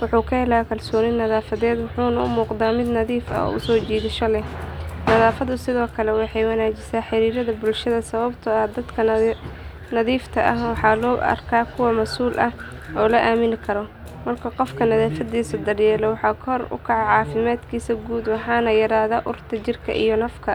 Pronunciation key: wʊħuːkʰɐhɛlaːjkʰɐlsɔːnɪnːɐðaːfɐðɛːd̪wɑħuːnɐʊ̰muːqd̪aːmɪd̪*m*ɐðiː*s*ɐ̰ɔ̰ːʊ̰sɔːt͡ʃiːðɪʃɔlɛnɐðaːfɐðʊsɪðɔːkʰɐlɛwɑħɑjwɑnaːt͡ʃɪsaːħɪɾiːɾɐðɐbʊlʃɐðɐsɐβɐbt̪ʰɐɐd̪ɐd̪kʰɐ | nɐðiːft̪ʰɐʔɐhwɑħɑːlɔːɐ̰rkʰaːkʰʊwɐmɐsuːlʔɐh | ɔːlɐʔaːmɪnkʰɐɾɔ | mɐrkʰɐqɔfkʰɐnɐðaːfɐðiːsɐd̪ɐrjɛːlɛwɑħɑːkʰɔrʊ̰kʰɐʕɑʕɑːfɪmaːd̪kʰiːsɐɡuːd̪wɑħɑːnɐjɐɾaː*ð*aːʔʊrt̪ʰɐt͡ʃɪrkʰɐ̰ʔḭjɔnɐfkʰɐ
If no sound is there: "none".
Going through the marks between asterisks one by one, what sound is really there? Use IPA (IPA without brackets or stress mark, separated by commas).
n, f, ð